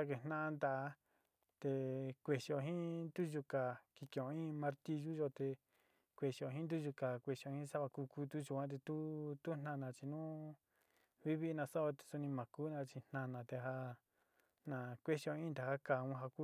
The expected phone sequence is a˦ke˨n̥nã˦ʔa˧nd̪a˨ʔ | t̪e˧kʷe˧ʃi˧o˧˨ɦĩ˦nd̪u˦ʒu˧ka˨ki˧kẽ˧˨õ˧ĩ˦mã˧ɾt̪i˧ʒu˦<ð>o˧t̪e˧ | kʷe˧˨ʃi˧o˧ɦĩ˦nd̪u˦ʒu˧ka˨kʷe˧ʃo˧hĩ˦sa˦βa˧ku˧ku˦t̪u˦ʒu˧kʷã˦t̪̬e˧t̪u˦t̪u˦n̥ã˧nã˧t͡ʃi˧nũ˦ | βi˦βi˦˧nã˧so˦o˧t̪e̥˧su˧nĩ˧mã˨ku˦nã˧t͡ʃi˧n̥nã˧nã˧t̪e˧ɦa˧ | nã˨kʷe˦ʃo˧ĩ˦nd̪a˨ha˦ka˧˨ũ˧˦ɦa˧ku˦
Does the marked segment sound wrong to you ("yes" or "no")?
yes